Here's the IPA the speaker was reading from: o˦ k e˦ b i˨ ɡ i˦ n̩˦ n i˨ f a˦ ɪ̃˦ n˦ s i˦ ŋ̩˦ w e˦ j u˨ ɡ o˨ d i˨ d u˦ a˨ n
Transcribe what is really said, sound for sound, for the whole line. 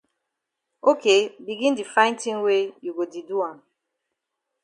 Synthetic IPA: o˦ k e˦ b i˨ ɡ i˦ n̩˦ d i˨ f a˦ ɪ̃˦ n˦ t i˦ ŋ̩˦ w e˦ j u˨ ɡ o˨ d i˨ d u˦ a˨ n